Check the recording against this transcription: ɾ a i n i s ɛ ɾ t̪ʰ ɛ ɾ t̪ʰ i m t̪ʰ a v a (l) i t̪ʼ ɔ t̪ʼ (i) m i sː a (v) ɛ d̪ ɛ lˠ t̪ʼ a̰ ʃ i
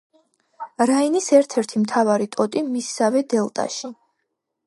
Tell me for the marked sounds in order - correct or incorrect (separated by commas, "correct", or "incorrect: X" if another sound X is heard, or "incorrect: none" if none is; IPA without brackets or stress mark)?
incorrect: ɾ, correct, correct